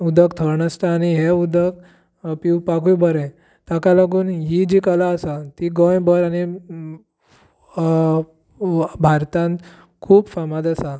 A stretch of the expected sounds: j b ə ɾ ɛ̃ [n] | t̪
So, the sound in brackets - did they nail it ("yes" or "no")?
no